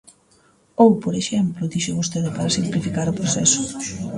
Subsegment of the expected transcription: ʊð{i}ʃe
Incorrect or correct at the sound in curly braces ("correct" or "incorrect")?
correct